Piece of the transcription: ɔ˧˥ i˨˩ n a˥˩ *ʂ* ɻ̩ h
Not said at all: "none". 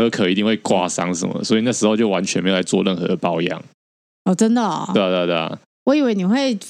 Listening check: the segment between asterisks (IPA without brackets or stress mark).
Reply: ʂ